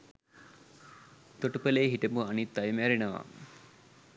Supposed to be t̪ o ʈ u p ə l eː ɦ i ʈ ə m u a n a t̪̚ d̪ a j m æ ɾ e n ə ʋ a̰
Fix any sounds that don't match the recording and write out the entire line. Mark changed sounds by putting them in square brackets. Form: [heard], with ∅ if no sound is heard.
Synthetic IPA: t̪ o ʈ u p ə l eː ɦ i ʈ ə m u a n [i] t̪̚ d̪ a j m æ ɾ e n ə ʋ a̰